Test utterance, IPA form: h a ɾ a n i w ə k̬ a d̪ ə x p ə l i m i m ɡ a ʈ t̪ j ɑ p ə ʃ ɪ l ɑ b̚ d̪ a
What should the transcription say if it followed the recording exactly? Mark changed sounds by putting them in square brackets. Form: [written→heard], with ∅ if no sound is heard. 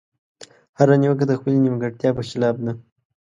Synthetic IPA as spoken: h a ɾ a n i w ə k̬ a d̪ ə x p ə l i [m→n] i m ɡ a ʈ t̪ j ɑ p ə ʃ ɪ l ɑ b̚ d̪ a